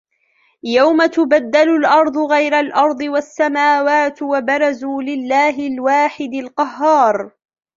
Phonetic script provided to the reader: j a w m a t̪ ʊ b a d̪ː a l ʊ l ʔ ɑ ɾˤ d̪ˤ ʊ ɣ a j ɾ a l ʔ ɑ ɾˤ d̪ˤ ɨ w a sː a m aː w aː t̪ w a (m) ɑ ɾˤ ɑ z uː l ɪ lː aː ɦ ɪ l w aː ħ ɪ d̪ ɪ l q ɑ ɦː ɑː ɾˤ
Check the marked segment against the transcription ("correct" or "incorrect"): incorrect